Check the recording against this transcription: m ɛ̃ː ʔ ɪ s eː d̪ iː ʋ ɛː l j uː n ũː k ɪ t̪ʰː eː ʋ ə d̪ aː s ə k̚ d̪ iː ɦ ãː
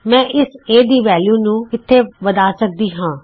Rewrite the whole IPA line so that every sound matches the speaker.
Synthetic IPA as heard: m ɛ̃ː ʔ ɪ s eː d̪ iː ʋ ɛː l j uː n ũː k ɪ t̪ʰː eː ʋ ə d̪ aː s ə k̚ d̪ iː ɦ ãː